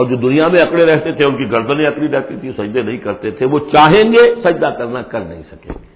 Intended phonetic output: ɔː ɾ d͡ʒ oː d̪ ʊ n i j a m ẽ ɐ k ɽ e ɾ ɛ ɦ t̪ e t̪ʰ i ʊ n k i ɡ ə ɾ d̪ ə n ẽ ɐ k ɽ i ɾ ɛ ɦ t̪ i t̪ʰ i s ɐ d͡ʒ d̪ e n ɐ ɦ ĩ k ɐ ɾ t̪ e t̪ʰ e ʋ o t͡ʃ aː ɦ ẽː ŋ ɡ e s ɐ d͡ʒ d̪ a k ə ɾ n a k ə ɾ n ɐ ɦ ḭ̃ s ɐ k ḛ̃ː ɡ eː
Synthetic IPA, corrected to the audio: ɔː ɾ d͡ʒ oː d̪ ʊ n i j a m ẽ ɐ k ɽ e ɾ ɛ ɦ t̪ e t̪ʰ e ʊ n k i ɡ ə ɾ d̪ ə n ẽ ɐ k ɽ i ɾ ɛ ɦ t̪ i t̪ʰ i s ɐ d͡ʒ d̪ e n ɐ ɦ ĩ k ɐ ɾ t̪ e t̪ʰ e ʋ o t͡ʃ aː ɦ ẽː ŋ ɡ e s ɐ d͡ʒ d̪ a k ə ɾ n a k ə ɾ n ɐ ɦ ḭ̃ s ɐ k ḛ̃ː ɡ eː